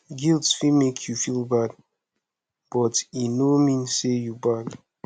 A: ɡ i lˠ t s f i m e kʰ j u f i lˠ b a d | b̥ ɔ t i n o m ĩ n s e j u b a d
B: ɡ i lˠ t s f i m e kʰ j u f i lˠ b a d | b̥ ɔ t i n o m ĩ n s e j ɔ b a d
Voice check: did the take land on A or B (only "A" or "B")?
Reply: A